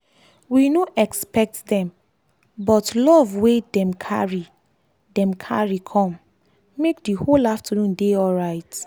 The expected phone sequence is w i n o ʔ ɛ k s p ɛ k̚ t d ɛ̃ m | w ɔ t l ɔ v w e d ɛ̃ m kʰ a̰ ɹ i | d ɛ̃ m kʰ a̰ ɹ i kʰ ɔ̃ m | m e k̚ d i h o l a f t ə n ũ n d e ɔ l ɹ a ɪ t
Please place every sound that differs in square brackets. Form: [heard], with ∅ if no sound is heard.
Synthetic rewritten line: w i n o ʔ ɛ k s p ɛ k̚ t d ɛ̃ m | [b] ɔ t l ɔ v w e d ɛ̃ m kʰ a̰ ɹ i | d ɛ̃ m kʰ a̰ ɹ i kʰ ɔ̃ m | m e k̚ d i h o l a f t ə n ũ n d e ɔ l ɹ a ɪ t

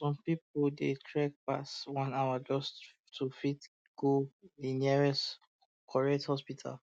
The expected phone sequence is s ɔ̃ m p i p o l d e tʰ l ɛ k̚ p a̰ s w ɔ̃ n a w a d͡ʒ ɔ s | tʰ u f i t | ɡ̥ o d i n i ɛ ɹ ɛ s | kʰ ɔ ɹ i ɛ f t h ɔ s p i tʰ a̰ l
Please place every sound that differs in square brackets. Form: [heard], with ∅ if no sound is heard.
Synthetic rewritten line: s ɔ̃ m p i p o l d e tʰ [ɹ] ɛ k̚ p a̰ s w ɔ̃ n a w a d͡ʒ ɔ s | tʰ u f i t | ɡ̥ o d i n i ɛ ɹ ɛ s | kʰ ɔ ɹ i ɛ [∅] t h ɔ s p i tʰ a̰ l

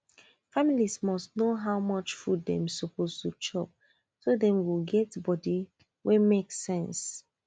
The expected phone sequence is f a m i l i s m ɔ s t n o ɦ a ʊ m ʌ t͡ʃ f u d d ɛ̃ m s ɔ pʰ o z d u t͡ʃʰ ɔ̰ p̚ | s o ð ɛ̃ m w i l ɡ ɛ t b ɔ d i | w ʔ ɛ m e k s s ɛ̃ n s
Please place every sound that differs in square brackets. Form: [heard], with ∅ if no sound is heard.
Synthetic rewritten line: f a m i l i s m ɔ s t n o ɦ a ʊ m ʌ t͡ʃ f u d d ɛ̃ m s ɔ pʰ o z [t] u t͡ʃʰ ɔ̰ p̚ | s o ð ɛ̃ m w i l ɡ ɛ t b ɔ d i | w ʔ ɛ m e k s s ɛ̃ n s

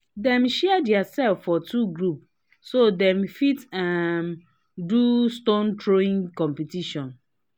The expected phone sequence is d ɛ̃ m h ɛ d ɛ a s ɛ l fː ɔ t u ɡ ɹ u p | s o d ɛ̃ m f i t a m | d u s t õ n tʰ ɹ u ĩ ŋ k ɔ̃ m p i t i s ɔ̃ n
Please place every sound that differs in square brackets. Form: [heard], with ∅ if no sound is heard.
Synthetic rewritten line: d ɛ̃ m [ʃ] ɛ d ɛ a s ɛ l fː ɔ t u ɡ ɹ u p | s o d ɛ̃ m f i t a m | d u s t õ n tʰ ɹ [o] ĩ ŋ k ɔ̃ m p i t i [ʃ] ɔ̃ n

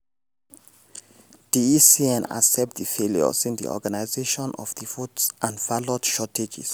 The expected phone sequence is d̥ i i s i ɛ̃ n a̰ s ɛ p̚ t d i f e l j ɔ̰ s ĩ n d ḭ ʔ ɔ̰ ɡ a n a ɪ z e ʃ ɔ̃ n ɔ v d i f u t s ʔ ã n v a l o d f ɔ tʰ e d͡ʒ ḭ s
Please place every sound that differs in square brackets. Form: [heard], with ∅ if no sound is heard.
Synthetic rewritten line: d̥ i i s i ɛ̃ n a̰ s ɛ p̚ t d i f e l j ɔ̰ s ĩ n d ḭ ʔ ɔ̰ ɡ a n a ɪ z e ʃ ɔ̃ n ɔ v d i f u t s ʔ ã n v a l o d [ʃ] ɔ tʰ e d͡ʒ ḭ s

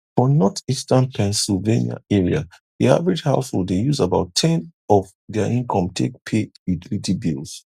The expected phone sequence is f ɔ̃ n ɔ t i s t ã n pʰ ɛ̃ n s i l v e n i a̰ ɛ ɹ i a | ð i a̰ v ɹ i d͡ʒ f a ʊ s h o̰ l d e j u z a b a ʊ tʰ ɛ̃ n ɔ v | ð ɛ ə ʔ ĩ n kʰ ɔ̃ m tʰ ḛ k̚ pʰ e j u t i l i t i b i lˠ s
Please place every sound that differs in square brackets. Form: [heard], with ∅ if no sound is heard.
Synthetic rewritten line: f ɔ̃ n ɔ t i s t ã n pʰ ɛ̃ n s i l v e n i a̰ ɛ ɹ i a | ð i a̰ v ɹ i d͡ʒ [h] a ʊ s h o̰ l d e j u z a b a ʊ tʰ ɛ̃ n ɔ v | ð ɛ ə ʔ ĩ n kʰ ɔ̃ m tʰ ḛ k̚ pʰ e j u t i l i t i b i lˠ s

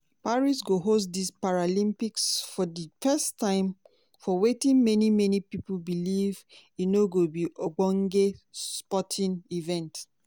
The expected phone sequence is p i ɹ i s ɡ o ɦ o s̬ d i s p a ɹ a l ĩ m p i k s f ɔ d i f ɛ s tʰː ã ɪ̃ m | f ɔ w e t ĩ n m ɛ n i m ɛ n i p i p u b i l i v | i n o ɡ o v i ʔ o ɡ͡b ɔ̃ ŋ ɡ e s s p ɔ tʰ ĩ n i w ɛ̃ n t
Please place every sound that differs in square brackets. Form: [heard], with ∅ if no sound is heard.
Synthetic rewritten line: p [a] ɹ i s ɡ o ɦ o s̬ d i s p a ɹ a l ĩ m p i k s f ɔ d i f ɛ s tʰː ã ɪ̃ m | f ɔ w e t ĩ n m ɛ n i m ɛ n i p i p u b i l i v | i n o ɡ o [b] i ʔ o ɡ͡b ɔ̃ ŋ ɡ e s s p ɔ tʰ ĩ n i [v] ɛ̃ n t

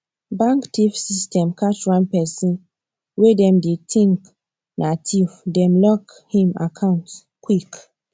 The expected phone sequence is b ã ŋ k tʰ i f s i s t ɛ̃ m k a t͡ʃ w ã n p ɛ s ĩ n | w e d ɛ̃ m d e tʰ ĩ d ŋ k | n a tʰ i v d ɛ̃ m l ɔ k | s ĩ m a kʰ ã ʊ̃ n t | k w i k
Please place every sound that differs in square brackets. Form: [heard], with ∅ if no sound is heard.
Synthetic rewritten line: b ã ŋ k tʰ i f s i s t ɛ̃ m k a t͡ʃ w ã n p ɛ s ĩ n | w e d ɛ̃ m d e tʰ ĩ [∅] ŋ k | n a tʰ i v d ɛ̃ m l ɔ k | [h] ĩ m a kʰ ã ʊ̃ n t | k w i k

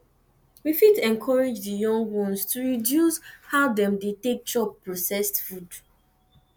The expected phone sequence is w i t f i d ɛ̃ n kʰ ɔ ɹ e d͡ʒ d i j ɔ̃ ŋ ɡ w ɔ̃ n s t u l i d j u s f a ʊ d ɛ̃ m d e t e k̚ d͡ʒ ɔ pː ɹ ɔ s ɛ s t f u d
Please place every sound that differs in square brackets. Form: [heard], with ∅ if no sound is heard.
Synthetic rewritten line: w i [∅] f i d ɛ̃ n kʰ ɔ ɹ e d͡ʒ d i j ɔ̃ ŋ ɡ w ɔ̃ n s t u [ɹ] i d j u s [h] a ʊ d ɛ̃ m d e t e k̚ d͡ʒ ɔ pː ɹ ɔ s ɛ s t f u d

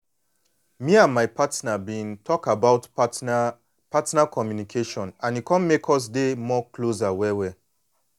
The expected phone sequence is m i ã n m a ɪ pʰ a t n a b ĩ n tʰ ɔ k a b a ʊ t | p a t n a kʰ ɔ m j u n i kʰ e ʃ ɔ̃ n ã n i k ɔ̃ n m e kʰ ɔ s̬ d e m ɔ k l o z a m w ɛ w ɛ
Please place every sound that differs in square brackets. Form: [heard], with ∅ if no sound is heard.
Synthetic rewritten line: m i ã n m a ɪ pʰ a t n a b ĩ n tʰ ɔ k a b a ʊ t | p a t n a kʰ ɔ m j u n i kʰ e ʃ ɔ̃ n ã n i k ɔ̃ n m e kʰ ɔ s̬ d e m ɔ k l o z a [∅] w ɛ w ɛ

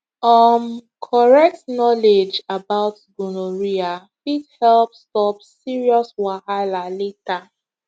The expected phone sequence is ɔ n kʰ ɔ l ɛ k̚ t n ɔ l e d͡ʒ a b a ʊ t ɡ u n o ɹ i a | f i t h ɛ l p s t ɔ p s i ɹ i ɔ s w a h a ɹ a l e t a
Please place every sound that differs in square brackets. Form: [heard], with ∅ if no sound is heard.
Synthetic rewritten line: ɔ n kʰ ɔ [ɹ] ɛ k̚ t n ɔ l e d͡ʒ a b a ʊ t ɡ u n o ɹ i a | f i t h ɛ l p s t ɔ p s i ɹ i ɔ s w a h a [l] a l e t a

